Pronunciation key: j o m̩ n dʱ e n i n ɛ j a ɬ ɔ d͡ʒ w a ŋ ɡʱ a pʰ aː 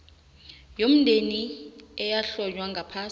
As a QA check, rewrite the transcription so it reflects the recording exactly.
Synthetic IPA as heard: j o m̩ n dʱ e n i ɛ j a ɬ ɔ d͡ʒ w a ŋ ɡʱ a pʰ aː